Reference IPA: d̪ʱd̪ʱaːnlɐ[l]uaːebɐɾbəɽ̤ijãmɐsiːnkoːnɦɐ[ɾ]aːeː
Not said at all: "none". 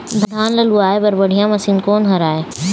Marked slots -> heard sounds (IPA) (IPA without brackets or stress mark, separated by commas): l, ɾ